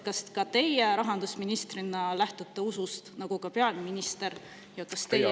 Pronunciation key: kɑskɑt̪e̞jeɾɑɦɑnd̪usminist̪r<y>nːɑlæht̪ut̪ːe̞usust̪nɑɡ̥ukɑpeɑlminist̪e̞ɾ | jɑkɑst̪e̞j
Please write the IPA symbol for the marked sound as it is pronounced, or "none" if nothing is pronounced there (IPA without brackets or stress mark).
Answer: i